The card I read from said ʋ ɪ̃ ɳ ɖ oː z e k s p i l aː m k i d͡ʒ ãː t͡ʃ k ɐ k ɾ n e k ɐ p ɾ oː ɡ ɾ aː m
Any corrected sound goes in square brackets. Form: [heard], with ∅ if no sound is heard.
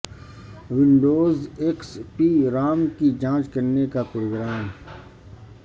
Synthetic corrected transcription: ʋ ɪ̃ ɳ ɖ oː z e k s p i [ɾ] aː m k i d͡ʒ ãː t͡ʃ k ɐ [∅] ɾ n e k [a] p ɾ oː ɡ ɾ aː m